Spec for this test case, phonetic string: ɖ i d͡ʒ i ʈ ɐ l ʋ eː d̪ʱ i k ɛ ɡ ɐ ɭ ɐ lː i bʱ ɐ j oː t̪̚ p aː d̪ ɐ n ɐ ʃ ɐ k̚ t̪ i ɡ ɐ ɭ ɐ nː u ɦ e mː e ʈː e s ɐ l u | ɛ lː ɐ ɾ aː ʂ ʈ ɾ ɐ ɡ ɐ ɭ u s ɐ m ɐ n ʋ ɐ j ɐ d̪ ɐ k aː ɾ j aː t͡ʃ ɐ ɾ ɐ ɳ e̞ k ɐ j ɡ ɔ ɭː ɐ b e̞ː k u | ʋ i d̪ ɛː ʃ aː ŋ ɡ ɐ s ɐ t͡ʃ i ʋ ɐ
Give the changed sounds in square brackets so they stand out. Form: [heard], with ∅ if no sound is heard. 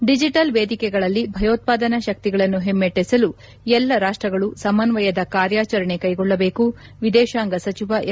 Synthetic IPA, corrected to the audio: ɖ i d͡ʒ i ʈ ɐ l ʋ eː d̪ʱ i k ɛ ɡ ɐ ɭ ɐ lː i bʱ ɐ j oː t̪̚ p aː d̪ ɐ n ɐ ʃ ɐ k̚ t̪ i ɡ ɐ ɭ ɐ nː u ɦ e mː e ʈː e s ɐ l u | ɛ lː ɐ ɾ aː ʂ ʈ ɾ ɐ ɡ ɐ ɭ u s ɐ m ɐ n ʋ ɐ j ɐ d̪ ɐ k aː ɾ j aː t͡ʃ ɐ ɾ ɐ ɳ e̞ k ɐ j ɡ ɔ ɭː ɐ b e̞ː k u | ʋ i d̪ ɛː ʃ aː ŋ ɡ ɐ s ɐ t͡ʃ i ʋ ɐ